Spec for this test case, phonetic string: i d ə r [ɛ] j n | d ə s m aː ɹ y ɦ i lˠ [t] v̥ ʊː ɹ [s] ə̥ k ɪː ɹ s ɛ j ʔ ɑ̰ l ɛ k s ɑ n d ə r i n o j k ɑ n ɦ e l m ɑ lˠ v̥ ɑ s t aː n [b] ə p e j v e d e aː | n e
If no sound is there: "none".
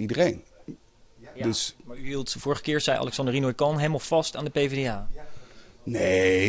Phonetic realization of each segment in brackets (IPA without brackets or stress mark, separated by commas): e, t, χ, d